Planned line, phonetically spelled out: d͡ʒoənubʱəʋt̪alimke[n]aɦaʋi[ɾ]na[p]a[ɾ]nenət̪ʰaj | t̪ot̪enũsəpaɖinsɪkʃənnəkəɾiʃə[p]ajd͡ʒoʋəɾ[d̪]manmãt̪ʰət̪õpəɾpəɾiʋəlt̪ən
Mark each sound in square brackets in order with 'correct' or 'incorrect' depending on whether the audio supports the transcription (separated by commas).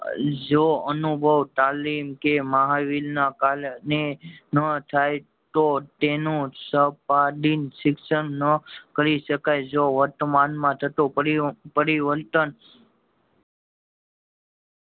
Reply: incorrect, incorrect, incorrect, incorrect, incorrect, incorrect